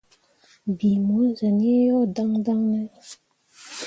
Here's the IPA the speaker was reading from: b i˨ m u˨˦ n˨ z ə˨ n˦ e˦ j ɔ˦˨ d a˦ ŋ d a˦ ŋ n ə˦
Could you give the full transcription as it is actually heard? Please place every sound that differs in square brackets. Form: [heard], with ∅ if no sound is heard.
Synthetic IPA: b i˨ m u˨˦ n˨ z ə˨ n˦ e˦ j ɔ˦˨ d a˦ ŋ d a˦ ŋ n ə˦